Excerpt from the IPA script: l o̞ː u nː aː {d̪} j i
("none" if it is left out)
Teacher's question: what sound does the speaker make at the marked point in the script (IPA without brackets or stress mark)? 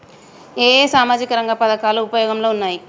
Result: none